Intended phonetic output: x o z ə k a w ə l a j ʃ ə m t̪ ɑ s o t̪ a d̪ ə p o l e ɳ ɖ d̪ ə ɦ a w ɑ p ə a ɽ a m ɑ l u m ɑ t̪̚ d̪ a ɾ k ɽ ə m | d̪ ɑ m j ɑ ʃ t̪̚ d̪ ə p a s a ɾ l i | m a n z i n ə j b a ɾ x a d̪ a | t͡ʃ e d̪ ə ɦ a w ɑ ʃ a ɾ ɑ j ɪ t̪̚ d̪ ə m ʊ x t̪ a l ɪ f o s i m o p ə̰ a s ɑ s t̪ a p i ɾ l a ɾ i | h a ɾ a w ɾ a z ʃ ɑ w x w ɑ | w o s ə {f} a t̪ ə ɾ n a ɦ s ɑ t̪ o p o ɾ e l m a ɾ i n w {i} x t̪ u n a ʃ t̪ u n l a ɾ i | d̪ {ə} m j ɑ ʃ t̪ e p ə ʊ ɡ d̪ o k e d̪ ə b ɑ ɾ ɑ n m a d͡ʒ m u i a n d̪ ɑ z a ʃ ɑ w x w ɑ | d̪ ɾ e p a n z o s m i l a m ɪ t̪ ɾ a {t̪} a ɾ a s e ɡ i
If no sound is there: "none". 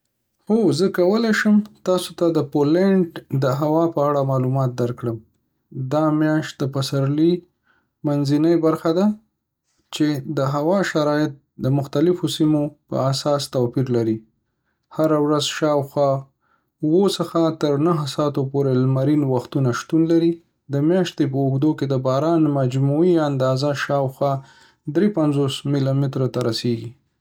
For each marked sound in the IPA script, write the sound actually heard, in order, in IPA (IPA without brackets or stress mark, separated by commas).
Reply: x, a, ə, t̪